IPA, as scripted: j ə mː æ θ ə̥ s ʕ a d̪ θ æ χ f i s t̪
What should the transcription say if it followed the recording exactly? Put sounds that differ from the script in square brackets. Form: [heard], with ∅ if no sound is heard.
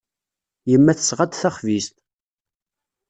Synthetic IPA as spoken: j ə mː æ θ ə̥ s [ʁ] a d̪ θ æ χ [v] i s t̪